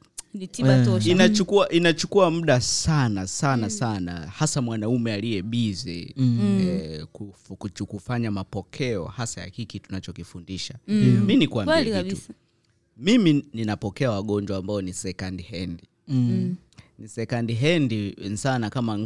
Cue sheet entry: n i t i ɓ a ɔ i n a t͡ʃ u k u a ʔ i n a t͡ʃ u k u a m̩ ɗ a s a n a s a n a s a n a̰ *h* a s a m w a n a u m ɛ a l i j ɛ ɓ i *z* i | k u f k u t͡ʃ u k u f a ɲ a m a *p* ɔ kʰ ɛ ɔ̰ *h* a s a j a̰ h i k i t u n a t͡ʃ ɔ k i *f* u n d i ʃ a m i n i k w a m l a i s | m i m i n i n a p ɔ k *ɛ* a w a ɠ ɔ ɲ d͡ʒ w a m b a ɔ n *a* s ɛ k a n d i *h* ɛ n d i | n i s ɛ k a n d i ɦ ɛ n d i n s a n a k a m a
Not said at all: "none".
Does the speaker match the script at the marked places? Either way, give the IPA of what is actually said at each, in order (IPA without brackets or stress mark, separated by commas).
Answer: h, z, p, h, f, ɛ, i, h